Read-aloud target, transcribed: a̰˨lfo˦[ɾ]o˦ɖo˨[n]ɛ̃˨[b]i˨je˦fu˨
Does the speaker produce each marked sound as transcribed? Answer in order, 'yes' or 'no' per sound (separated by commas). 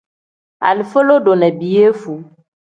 no, yes, yes